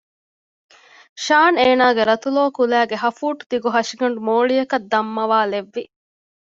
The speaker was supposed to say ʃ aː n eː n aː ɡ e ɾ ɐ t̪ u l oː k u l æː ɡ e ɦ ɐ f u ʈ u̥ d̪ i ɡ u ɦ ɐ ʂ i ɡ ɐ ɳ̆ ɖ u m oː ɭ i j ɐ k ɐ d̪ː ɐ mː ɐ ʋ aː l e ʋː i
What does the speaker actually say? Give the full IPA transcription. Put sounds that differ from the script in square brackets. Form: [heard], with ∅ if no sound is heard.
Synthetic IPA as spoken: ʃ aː n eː n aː ɡ e ɾ ɐ t̪ u l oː k u l æː ɡ e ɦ ɐ f [uː] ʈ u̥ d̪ i ɡ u ɦ ɐ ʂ i ɡ ɐ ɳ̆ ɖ u m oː ɭ i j ɐ k ɐ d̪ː ɐ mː ɐ ʋ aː l e ʋː i